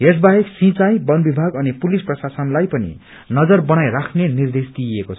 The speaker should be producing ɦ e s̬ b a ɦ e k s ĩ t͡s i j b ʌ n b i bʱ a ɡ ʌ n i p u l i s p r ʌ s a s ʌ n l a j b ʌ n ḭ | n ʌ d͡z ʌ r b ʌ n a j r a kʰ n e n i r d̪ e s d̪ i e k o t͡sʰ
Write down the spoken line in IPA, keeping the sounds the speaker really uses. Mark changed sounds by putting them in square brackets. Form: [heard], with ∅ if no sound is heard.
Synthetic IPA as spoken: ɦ e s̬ b a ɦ e k s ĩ t͡s [a] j b ʌ n b i bʱ a ɡ ʌ n i p u l i s p r ʌ s a s ʌ n l a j [p] ʌ n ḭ | n ʌ d͡z ʌ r b ʌ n a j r a kʰ n e n i r d̪ e s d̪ i e k o t͡sʰ